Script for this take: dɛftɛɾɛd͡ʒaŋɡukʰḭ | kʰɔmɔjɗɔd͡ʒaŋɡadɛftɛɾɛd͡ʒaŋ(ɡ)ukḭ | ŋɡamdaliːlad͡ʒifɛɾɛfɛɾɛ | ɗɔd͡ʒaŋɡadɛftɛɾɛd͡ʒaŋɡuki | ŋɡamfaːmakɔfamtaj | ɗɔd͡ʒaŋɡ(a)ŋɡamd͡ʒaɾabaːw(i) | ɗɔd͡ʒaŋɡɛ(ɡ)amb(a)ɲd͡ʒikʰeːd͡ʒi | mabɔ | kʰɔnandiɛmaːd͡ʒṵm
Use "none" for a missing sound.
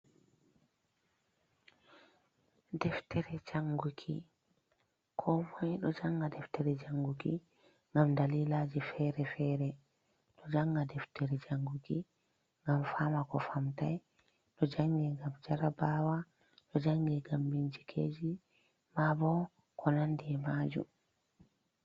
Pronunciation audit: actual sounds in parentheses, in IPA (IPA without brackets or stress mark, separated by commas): ɡ, ɛ, a, ɡ, i